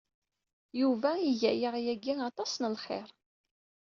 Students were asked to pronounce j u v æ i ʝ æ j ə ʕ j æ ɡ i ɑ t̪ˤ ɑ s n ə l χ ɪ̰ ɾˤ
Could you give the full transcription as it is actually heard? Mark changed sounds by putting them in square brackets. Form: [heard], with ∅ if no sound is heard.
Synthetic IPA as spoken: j u v æ i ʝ æ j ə [ʁ] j æ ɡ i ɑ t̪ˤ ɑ s n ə l χ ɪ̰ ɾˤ